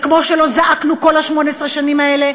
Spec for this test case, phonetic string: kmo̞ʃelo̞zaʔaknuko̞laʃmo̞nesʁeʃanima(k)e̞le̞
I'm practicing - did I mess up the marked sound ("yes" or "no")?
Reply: yes